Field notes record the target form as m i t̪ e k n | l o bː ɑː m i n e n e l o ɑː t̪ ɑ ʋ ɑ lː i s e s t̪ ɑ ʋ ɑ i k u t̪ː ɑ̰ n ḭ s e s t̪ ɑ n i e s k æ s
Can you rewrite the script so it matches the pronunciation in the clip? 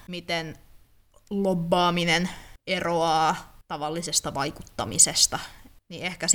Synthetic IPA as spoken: m i t̪ e n | l o bː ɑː m i n e n e r o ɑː t̪ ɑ ʋ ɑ lː i s e s t̪ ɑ ʋ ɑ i k u t̪ː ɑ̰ m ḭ s e s t̪ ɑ n i e h k æ s